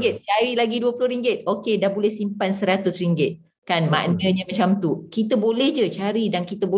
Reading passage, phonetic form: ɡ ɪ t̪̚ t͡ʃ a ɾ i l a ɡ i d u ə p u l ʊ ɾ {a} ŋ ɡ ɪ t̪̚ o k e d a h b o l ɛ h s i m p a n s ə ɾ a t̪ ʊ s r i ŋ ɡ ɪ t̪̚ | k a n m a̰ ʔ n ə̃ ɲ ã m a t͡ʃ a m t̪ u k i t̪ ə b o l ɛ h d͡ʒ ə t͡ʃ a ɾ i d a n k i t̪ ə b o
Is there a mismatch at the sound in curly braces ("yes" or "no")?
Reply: yes